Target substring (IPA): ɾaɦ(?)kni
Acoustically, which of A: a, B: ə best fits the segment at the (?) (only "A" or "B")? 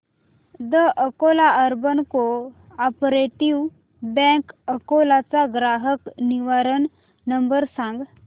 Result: B